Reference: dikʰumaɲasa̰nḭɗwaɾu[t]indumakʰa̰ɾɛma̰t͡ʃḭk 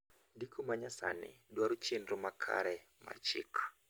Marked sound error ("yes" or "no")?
yes